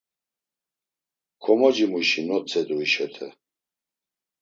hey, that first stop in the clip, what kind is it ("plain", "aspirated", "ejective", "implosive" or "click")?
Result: aspirated